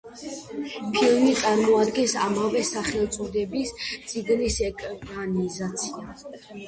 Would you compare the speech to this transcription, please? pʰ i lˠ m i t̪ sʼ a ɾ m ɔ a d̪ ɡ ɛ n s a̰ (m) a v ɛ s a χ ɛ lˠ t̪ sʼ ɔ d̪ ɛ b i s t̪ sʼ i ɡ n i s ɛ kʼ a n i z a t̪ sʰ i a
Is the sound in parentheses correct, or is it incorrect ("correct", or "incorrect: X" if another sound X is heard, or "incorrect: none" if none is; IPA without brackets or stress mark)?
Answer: correct